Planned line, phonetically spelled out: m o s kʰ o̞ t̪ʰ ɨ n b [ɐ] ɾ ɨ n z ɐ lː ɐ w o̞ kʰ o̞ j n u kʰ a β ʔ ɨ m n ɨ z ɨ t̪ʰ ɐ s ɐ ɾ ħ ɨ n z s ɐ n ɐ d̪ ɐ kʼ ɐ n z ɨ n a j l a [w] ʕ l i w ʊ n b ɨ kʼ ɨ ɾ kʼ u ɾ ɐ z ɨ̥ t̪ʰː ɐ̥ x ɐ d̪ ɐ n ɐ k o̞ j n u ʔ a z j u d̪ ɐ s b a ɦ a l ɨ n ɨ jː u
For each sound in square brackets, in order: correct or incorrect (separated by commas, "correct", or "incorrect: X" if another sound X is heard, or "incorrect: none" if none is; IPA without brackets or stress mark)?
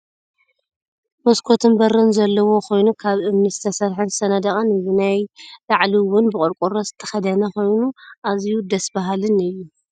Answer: correct, incorrect: none